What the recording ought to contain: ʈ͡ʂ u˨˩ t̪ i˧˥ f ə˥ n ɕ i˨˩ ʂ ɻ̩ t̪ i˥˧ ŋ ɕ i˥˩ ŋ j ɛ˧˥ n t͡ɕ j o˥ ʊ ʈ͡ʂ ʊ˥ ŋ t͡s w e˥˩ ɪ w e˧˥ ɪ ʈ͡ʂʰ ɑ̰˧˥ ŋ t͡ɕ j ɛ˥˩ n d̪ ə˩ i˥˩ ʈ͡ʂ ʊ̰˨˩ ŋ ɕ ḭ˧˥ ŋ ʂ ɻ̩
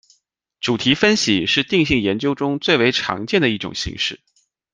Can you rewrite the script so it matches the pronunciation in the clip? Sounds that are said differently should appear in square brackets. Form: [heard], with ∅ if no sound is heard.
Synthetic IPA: ʈ͡ʂ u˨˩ [t̪ʰ] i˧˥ f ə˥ n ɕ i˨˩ ʂ ɻ̩ t̪ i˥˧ ŋ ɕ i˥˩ ŋ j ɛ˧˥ n t͡ɕ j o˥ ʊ ʈ͡ʂ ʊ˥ ŋ t͡s w e˥˩ ɪ w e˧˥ ɪ ʈ͡ʂʰ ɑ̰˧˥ ŋ t͡ɕ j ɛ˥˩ n d̪ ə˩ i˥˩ ʈ͡ʂ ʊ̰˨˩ ŋ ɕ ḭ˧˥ ŋ ʂ ɻ̩